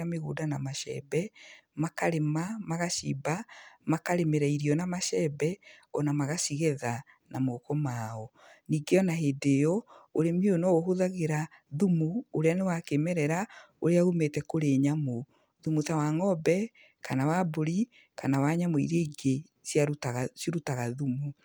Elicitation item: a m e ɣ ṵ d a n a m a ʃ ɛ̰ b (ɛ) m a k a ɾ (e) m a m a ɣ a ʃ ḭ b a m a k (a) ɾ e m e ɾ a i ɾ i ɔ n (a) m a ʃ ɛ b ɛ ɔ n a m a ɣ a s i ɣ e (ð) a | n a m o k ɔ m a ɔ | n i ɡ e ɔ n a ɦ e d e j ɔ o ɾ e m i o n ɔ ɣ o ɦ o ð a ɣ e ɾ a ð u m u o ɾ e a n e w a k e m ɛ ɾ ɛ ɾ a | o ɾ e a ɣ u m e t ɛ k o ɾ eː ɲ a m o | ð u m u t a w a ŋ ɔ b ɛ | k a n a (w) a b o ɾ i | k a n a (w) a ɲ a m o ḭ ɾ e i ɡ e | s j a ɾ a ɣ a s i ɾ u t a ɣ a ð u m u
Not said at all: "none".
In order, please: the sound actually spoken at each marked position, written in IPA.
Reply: ɛ, e, a, a, ð, w, w

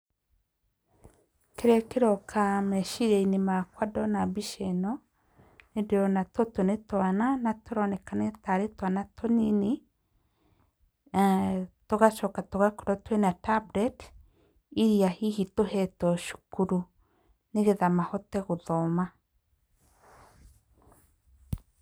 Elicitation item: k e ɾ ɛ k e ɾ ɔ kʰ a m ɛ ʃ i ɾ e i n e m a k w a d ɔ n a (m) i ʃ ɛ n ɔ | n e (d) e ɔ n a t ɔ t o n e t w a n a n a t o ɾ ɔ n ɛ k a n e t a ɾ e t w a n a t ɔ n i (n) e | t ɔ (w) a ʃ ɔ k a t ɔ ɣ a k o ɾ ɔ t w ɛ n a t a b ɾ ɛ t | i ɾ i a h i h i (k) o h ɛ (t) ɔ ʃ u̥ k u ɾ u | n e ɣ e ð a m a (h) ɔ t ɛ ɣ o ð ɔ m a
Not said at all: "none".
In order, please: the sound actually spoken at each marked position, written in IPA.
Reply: b, d, n, ɣ, t, t, h

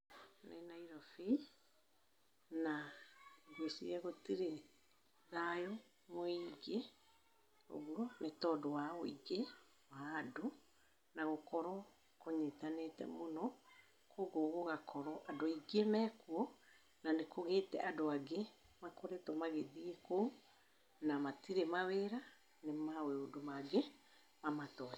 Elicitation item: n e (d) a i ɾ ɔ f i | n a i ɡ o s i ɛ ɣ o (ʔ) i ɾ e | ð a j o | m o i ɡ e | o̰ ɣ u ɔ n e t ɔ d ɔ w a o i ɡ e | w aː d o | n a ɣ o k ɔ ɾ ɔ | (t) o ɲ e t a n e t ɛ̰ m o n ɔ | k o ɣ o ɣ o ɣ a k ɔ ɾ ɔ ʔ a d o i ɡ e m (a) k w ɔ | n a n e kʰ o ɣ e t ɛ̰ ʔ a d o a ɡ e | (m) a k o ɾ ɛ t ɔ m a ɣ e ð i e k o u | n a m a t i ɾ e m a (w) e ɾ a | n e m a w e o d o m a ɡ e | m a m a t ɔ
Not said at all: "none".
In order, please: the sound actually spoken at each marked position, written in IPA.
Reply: n, t, k, ɛ, m, w

